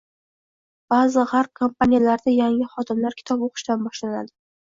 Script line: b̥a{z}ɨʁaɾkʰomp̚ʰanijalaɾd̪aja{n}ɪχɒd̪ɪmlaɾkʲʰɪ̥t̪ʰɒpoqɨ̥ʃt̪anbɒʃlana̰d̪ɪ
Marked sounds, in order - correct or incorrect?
correct, incorrect

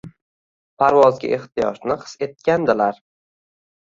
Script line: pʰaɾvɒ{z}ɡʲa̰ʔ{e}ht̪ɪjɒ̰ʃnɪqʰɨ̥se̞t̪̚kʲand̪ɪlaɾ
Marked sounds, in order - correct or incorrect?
correct, correct

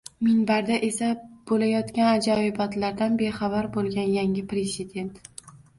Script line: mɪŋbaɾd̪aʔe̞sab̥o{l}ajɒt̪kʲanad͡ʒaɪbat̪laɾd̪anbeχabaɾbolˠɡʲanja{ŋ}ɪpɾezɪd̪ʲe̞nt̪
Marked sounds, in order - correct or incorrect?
correct, correct

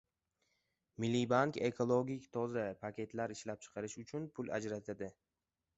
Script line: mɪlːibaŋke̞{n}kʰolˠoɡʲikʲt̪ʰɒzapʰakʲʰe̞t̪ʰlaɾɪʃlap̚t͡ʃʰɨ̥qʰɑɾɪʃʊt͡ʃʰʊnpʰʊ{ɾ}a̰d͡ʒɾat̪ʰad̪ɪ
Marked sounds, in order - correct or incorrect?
incorrect, incorrect

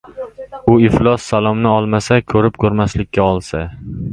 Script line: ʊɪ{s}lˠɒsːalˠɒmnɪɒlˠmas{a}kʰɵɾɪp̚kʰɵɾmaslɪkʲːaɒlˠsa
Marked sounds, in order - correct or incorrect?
incorrect, correct

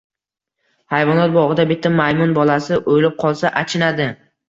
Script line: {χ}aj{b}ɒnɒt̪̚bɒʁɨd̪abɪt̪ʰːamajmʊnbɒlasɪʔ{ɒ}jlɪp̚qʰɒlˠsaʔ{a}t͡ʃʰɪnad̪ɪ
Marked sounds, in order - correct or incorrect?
incorrect, incorrect, incorrect, correct

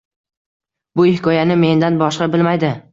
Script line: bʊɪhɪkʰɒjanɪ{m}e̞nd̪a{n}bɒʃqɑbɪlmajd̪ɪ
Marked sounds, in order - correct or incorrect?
correct, correct

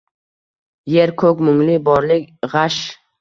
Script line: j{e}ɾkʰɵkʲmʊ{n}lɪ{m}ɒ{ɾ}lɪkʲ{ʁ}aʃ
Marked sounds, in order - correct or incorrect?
correct, incorrect, incorrect, correct, correct

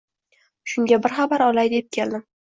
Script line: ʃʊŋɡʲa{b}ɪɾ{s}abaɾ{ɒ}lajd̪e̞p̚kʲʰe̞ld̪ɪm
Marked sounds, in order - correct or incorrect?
correct, incorrect, correct

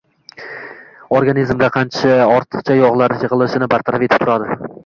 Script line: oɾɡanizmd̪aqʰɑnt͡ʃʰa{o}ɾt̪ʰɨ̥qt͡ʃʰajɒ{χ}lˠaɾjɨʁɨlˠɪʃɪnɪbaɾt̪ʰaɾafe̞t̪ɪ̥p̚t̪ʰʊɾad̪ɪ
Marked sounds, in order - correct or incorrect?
incorrect, incorrect

